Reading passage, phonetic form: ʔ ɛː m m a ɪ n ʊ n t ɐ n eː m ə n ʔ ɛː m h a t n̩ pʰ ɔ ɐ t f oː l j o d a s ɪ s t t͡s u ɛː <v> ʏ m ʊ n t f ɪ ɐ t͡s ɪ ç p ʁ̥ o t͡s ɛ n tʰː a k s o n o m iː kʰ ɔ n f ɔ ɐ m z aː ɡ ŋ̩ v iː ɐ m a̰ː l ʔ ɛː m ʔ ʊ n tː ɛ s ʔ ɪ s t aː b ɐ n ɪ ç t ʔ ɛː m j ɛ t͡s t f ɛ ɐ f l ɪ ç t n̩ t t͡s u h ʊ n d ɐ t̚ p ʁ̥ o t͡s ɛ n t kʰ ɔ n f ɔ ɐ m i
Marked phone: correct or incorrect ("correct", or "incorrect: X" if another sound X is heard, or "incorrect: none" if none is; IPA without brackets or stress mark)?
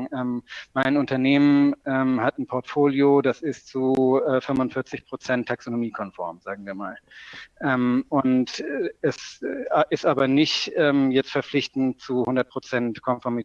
incorrect: f